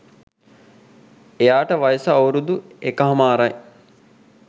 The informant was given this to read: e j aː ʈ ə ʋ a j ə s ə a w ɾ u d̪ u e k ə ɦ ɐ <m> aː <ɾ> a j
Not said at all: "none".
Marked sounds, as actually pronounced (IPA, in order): m, ɾ

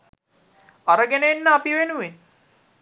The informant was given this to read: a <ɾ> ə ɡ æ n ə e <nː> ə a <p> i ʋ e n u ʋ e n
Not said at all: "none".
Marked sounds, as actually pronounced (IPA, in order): ɾ, nː, p

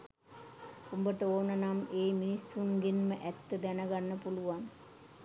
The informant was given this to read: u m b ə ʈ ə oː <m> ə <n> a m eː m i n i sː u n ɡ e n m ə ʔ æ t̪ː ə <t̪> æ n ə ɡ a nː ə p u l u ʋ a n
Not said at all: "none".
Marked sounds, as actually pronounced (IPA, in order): n, n, d̪

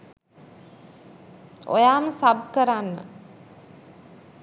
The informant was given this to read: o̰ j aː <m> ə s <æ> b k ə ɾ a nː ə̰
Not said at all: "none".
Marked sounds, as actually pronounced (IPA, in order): m, a

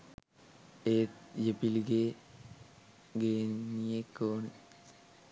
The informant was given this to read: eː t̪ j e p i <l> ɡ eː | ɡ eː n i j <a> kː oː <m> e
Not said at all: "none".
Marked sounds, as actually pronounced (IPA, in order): l, e, n

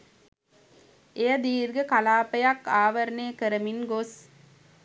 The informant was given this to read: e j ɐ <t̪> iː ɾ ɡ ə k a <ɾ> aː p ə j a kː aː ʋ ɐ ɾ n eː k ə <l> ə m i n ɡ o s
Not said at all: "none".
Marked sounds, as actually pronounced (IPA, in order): d̪, l, ɾ

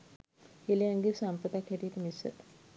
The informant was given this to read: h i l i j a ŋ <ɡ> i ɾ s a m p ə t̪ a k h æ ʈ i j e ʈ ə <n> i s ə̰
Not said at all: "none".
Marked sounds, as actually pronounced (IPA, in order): ɡ, m

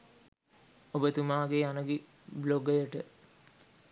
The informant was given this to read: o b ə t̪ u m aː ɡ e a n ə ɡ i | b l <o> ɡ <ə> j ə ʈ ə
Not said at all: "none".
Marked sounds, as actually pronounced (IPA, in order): o, ə

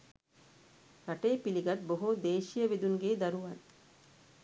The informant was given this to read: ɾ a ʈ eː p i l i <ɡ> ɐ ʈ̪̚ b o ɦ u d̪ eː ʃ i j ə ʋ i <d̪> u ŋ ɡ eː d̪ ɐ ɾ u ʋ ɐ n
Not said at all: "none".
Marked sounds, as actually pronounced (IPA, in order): ɡ, d̪

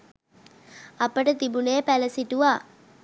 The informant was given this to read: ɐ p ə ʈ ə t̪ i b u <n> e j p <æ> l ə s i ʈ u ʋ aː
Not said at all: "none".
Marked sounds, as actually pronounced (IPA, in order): n, æ

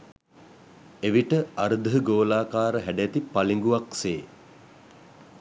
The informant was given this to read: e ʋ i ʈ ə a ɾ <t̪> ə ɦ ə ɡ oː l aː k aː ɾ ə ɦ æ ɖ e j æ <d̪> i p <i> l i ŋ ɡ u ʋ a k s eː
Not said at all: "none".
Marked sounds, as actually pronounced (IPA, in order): d̪, t̪, a

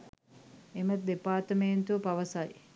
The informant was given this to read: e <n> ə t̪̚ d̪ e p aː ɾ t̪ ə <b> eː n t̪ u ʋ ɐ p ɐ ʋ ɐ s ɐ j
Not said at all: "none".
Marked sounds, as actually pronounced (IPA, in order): m, m

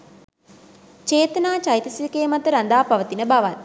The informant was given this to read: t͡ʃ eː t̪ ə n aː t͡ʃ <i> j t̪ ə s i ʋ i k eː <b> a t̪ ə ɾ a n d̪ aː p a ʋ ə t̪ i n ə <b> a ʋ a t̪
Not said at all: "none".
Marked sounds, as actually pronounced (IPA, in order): a, m, b

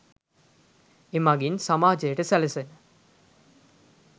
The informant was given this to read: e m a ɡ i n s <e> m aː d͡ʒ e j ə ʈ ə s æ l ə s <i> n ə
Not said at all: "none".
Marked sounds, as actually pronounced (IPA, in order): a, e

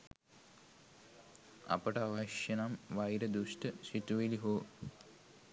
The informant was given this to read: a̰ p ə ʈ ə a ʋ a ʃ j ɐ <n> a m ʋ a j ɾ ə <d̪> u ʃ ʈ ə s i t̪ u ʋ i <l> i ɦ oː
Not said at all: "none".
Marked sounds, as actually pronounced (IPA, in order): n, d̪, l

